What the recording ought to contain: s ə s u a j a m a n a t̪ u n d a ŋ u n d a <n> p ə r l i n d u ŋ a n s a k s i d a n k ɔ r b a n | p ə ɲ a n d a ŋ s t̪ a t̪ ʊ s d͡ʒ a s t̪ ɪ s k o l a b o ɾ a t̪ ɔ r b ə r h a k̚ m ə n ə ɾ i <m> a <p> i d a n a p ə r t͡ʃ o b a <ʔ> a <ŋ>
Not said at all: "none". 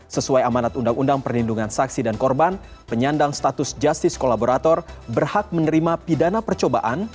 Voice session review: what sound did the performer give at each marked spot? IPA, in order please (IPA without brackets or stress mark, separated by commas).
ŋ, m, p, ʔ, n